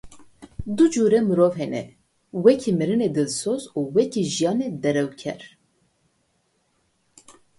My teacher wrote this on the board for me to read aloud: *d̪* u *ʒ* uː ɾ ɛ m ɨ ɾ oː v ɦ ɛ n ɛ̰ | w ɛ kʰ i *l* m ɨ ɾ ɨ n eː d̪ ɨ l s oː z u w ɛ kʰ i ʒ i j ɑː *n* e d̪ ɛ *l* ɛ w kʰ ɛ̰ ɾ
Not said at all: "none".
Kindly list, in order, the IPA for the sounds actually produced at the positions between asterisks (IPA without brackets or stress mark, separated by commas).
d̪, d͡ʒ, none, n, ɾ